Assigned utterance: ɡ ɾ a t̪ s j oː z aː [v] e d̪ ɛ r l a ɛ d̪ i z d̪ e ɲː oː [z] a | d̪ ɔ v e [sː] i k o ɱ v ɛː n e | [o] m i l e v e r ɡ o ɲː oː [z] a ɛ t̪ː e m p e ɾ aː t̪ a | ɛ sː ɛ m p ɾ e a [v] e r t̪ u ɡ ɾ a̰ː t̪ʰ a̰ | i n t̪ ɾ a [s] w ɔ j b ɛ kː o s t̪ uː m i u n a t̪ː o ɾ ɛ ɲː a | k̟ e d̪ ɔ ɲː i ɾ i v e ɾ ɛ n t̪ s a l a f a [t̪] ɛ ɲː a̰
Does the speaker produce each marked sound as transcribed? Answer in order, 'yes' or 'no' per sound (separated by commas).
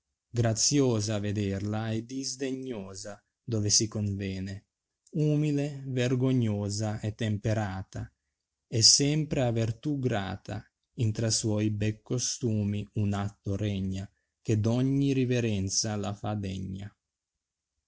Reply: yes, yes, no, no, yes, yes, yes, no